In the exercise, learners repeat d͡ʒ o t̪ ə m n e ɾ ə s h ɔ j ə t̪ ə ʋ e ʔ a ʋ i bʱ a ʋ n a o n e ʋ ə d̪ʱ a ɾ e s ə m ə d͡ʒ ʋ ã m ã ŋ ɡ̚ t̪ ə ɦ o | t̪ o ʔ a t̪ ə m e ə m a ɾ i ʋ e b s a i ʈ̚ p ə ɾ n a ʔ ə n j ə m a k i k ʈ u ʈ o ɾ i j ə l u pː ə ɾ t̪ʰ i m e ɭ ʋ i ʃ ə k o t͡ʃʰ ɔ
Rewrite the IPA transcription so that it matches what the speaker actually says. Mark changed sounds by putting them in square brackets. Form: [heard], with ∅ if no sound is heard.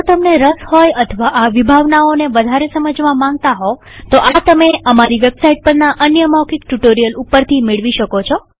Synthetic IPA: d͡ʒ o t̪ ə m n e ɾ ə s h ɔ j ə [t̪ʰ] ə ʋ [a] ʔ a ʋ i bʱ a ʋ n a o n e ʋ ə d̪ʱ a ɾ e s ə m ə d͡ʒ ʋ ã m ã ŋ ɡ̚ t̪ [a] ɦ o | t̪ o ʔ a t̪ ə m e ə m a ɾ i ʋ e b s a i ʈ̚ p ə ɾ n a ʔ ə n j ə m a k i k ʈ u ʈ o ɾ i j ə l u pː ə ɾ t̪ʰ i m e ɭ ʋ i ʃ ə k o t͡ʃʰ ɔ